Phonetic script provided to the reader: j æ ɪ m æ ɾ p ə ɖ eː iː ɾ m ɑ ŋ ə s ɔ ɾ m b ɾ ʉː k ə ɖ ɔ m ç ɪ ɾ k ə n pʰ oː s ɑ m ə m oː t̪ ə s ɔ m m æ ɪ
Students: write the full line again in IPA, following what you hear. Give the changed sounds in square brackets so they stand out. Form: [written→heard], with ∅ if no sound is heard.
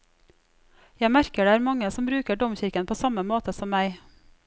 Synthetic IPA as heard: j æ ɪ m æ ɾ [p→k] ə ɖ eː [iː→æː] ɾ m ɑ ŋ ə s ɔ [ɾ→∅] m b ɾ ʉː k ə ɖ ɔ m ç ɪ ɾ k ə n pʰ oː s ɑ m ə m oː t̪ ə s ɔ m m æ ɪ

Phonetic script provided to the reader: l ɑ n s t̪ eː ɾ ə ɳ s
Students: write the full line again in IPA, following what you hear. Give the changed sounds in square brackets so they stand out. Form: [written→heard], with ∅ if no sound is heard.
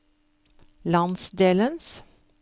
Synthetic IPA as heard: l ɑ n s [t̪→d̪] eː [ɾ→l] ə [ɳ→n] s

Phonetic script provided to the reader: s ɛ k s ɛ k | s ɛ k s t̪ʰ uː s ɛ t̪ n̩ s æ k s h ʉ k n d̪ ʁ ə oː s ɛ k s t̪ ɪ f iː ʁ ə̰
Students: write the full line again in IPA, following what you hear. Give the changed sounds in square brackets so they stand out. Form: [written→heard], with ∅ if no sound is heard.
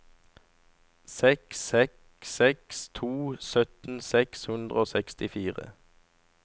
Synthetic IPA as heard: s ɛ k s ɛ k | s ɛ k s t̪ʰ uː s [ɛ→œ] t̪ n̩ s [æ→ɛ] k s h ʉ [k→∅] n d̪ ʁ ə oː s ɛ k s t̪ ɪ f iː ʁ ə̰

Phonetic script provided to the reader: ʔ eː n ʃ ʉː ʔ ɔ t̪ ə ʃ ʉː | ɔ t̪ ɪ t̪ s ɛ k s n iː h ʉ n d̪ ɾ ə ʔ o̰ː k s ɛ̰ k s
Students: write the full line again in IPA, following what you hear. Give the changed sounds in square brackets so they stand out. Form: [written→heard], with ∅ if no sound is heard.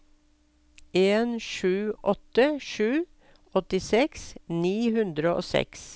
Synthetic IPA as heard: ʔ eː n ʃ ʉː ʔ ɔ t̪ ə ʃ ʉː | ɔ t̪ ɪ [t̪→∅] s ɛ k s n iː h ʉ n d̪ ɾ ə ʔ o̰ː [k→∅] s ɛ̰ k s

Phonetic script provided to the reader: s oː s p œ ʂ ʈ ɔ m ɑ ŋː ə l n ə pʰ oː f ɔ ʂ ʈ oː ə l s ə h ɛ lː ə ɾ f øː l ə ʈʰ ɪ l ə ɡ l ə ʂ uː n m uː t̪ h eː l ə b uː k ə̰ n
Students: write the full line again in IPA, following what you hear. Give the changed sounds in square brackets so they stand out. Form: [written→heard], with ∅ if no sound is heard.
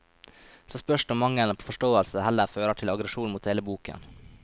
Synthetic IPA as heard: s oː s p œ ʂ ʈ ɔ m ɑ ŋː ə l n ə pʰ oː f ɔ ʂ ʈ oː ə l s ə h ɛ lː ə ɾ f øː [l→ɾ] ə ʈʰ ɪ l [ə→ɑ] ɡ [l→ɾ] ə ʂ uː n m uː t̪ h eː l ə b uː k ə̰ n

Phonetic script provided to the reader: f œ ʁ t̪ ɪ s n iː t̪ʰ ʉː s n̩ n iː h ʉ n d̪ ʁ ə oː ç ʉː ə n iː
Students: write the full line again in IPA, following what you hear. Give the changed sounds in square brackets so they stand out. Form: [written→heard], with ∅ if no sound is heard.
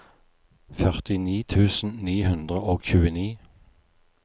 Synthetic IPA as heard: f œ ʁ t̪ ɪ [s→∅] n iː t̪ʰ ʉː s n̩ n iː h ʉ n d̪ ʁ ə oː ç ʉː ə n iː

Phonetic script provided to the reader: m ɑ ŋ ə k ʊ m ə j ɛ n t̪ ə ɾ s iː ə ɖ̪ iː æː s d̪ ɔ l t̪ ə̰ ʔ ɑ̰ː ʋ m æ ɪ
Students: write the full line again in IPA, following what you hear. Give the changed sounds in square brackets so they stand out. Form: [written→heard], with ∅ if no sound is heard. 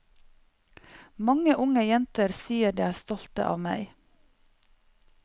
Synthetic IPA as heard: m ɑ ŋ ə [k→ʔ] ʊ [m→ŋ] ə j ɛ n t̪ ə ɾ s iː ə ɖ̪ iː æː s [d̪→t̪] ɔ l t̪ ə̰ ʔ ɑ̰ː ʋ m æ ɪ

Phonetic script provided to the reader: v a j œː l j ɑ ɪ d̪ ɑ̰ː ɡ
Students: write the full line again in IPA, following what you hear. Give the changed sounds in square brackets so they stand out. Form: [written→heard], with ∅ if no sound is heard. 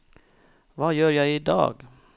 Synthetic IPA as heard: v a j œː [l→ɾ] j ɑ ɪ d̪ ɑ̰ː ɡ

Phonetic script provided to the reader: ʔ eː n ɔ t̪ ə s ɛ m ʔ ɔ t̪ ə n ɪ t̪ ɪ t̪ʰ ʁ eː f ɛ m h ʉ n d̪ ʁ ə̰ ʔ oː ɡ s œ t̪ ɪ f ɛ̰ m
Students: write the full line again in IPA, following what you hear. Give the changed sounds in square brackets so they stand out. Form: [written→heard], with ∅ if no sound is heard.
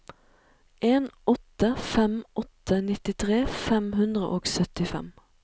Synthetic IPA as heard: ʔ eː n ɔ t̪ ə [s→f] ɛ m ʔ ɔ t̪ ə n ɪ t̪ ɪ t̪ʰ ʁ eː f ɛ m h ʉ n d̪ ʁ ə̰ ʔ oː ɡ s œ t̪ ɪ f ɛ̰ m

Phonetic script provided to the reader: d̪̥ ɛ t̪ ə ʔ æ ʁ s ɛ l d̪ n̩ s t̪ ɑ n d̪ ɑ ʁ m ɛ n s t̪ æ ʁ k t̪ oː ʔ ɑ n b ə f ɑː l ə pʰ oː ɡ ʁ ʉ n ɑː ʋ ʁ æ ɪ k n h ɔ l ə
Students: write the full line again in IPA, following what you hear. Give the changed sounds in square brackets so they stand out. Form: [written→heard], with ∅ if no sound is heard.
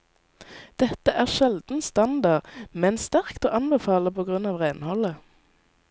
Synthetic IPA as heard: d̪̥ ɛ t̪ ə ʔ [æ→æː] ʁ [s→ʃ] ɛ l d̪ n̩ s t̪ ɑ n d̪ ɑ ʁ m ɛ n s t̪ æ ʁ k t̪ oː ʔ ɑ n b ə f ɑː l ə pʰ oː ɡ ʁ ʉ n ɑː ʋ ʁ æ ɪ [k→∅] n h ɔ l ə

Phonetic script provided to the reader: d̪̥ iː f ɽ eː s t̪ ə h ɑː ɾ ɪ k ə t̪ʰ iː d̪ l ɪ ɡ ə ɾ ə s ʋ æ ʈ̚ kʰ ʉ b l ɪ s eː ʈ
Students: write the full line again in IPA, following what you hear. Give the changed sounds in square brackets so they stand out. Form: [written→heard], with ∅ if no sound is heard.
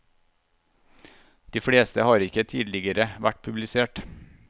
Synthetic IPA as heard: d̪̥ iː f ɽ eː s t̪ ə h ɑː ɾ ɪ k ə t̪ʰ iː d̪ l ɪ ɡ ə ɾ ə [s→∅] ʋ æ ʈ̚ [kʰ→pʰ] ʉ b l ɪ s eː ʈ

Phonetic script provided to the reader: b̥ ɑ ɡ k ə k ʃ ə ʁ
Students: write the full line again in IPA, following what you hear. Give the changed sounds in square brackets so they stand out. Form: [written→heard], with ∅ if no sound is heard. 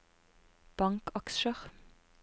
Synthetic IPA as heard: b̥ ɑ [ɡ→ŋ] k [ə→ɑ] k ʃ ə ʁ

